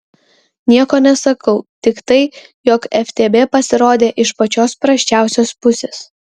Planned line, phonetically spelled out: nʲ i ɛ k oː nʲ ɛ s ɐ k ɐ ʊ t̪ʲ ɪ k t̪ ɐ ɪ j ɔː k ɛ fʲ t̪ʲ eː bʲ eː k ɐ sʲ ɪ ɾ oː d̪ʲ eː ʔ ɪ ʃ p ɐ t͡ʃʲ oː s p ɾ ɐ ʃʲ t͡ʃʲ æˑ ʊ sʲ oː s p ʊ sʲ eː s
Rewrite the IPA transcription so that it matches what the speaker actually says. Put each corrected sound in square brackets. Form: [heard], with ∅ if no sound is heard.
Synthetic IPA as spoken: nʲ i ɛ k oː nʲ ɛ s ɐ k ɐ ʊ t̪ʲ ɪ k t̪ ɐ ɪ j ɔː k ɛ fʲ t̪ʲ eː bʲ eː [p] ɐ sʲ ɪ ɾ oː d̪ʲ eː ʔ ɪ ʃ p ɐ t͡ʃʲ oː s p ɾ ɐ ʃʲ t͡ʃʲ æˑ ʊ sʲ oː s p ʊ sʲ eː s